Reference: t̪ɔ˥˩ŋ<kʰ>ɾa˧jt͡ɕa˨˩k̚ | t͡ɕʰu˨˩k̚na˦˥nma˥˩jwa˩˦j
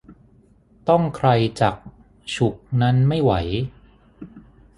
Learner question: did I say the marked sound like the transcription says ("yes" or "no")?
yes